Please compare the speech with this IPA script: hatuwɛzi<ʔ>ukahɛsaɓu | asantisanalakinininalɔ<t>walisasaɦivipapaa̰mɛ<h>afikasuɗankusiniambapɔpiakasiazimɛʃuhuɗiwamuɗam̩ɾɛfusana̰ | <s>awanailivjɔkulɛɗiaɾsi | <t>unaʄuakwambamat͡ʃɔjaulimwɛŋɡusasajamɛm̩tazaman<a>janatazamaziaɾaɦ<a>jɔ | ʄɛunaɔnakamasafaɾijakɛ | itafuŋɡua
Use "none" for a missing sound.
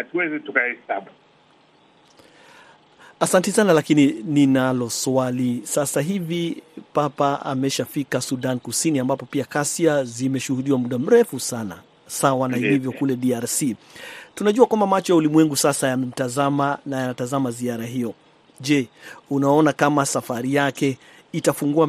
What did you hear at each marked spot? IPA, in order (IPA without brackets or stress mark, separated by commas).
t, s, ʃ, s, t, a, i